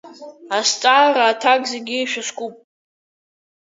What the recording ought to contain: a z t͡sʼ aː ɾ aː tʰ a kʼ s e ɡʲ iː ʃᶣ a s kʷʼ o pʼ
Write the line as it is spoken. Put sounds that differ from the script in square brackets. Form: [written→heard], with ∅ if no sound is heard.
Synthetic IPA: a [z→s] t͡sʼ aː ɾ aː tʰ a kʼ [s→z] e ɡʲ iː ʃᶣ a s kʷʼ [o→u] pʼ

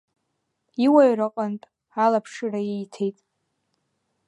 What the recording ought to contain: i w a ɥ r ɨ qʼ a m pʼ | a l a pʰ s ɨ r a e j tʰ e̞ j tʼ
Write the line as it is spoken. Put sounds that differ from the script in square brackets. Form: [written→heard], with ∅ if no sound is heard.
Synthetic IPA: i w a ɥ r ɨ qʼ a [m→n] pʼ | a l a pʰ [s→ʂ] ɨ r a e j tʰ e̞ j tʼ

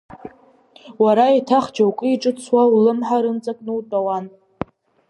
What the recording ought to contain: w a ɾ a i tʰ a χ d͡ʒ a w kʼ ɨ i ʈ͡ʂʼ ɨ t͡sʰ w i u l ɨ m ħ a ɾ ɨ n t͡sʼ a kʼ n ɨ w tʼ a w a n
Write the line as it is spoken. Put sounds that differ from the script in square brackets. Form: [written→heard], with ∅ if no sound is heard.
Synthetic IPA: w a ɾ a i tʰ a χ d͡ʒ a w kʼ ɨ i ʈ͡ʂʼ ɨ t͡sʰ w [i→a] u l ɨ m ħ a ɾ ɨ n t͡sʼ a kʼ n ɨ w tʼ a w a n

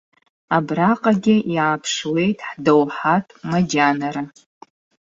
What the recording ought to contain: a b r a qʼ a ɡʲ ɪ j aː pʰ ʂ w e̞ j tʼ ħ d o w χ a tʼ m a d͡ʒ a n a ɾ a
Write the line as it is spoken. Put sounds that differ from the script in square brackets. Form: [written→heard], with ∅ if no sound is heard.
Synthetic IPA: a b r a qʼ a ɡʲ ɪ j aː pʰ ʂ w e̞ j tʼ ħ d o w [χ→ħ] a tʼ m a d͡ʒ a n a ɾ a

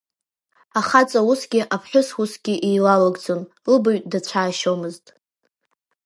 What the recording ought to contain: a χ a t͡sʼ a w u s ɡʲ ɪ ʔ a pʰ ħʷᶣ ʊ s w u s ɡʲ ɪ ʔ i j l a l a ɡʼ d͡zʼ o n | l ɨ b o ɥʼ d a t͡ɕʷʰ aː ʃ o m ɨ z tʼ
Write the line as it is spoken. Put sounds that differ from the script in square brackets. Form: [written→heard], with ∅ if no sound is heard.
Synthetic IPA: a χ a t͡sʼ a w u s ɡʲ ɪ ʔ a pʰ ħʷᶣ ʊ s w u s ɡʲ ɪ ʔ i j l a l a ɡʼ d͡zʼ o n | l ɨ b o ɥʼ d a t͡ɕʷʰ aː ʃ o m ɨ z tʼ

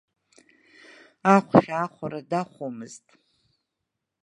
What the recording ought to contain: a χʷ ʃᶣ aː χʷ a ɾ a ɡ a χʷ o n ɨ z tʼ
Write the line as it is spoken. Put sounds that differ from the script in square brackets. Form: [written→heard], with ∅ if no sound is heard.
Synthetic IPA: a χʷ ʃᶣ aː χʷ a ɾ a [ɡ→d] a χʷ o [n→m] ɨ z tʼ

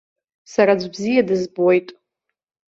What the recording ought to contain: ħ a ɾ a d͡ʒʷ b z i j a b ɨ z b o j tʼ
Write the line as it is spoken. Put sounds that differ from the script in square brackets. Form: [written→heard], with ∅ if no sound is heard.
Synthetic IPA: [ħ→s] a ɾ a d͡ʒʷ b z i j a [b→d] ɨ z b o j tʼ

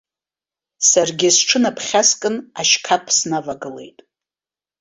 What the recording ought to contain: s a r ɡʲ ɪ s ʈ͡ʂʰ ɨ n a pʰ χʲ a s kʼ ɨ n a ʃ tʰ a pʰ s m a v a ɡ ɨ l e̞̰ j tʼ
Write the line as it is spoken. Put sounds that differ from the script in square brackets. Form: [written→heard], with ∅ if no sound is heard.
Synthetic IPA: s a r ɡʲ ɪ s ʈ͡ʂʰ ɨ n a pʰ χʲ a s kʼ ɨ n a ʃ [tʰ→kʰ] a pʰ s [m→n] a v a ɡ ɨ l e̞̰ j tʼ

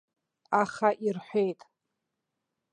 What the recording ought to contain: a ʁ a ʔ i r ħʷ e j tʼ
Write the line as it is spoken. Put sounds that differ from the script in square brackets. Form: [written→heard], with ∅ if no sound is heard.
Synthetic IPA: a [ʁ→χ] a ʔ i r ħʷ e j tʼ

